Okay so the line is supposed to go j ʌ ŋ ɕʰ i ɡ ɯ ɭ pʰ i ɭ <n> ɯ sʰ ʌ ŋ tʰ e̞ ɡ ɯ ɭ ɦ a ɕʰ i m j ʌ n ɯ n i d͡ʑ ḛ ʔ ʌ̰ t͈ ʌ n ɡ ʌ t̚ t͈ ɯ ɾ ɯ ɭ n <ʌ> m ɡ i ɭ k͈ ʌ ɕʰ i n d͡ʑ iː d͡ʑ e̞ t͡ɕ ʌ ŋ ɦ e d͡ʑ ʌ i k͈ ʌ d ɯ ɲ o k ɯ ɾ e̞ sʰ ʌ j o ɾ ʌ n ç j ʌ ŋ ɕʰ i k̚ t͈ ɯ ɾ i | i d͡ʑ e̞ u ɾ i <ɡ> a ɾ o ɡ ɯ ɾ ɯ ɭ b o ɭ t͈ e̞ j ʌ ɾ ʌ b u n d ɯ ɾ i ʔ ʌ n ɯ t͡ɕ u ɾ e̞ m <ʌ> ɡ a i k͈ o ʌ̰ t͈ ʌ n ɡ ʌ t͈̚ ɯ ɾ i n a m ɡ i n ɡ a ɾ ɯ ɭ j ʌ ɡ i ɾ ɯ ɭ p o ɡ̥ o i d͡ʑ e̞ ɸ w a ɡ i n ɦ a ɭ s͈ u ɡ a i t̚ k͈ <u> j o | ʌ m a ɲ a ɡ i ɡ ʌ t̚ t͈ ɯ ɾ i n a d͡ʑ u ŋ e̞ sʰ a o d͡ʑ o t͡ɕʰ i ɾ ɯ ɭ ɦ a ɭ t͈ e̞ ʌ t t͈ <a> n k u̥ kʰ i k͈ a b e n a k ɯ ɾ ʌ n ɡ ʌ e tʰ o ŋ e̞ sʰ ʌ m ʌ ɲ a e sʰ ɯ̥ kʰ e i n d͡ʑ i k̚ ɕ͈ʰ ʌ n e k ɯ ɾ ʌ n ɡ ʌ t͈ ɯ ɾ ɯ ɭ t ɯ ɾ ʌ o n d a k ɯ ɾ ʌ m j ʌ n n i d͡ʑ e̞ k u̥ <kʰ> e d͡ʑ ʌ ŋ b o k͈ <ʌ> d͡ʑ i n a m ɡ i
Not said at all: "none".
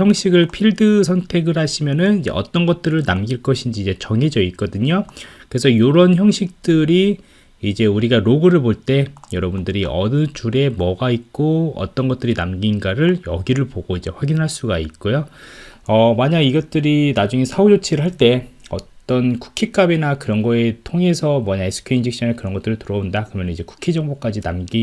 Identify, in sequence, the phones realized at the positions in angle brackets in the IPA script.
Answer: d, a, ɡ, ʌ, o, ʌ, kʰ, a

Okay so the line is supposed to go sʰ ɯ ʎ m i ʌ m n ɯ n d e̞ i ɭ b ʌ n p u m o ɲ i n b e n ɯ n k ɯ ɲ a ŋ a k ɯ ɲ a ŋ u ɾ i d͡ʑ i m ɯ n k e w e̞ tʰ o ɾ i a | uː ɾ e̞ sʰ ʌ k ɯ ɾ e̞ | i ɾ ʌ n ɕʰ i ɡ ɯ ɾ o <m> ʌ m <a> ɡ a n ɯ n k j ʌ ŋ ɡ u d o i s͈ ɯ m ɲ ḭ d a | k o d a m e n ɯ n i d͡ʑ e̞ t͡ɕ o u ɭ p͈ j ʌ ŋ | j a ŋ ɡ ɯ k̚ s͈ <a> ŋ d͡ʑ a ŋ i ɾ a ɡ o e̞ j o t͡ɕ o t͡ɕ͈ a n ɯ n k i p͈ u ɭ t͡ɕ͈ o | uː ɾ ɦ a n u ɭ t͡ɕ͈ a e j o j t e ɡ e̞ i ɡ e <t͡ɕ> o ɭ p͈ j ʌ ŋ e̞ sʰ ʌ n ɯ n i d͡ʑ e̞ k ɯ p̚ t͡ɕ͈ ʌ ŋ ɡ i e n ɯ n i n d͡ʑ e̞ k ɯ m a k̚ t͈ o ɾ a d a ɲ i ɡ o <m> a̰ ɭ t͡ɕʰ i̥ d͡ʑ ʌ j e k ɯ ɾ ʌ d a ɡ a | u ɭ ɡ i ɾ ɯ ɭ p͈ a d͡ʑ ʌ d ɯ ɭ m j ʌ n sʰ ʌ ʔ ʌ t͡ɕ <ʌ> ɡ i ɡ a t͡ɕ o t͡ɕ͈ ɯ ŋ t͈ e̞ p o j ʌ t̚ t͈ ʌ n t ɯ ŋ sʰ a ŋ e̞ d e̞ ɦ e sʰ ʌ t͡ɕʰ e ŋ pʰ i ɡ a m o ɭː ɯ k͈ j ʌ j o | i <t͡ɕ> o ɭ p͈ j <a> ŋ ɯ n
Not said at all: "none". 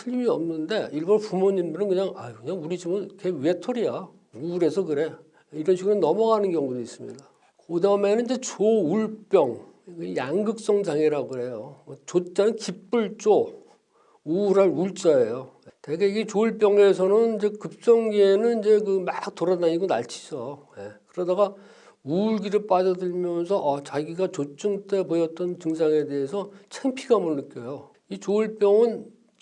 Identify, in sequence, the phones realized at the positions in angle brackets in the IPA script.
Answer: n, ʌ, ʌ, t͡ɕ, n, a, t͡ɕ, ʌ

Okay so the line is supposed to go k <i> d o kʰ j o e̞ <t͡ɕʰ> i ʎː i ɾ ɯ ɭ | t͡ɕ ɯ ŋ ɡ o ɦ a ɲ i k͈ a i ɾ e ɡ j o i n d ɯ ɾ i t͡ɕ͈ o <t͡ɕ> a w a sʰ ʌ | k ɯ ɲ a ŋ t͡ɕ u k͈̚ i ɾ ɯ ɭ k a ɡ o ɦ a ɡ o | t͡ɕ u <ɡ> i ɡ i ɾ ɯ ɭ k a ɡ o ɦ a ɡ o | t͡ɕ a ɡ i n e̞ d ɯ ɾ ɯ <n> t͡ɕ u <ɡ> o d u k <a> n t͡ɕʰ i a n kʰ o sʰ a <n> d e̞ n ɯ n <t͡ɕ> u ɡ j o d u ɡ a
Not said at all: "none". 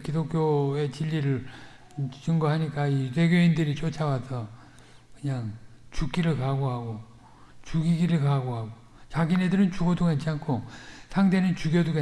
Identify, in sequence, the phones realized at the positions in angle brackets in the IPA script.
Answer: i, t͡ɕ, t͡ɕʰ, ɡ, n, ɡ, a, ŋ, t͡ɕ

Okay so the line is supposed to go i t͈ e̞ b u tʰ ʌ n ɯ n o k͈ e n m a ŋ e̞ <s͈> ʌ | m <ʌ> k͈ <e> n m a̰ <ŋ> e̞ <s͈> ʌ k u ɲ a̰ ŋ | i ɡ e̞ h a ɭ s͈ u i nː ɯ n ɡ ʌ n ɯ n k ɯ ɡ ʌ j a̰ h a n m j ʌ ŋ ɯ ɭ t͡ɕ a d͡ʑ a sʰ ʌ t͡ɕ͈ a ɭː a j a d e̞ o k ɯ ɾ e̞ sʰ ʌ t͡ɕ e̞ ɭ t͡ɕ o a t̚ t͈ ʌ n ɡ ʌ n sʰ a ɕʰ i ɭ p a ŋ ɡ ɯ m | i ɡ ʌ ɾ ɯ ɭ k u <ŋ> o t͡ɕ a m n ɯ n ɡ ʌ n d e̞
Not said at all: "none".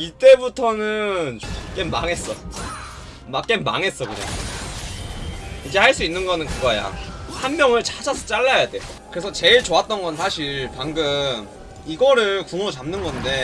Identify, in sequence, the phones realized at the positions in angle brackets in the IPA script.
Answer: s͈, a, e, ŋ, s͈, ŋ

